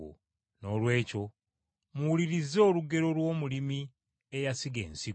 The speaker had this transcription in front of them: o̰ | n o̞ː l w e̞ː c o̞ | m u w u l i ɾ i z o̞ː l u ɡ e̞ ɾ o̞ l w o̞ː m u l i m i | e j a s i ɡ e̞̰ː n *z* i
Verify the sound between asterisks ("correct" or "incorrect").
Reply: incorrect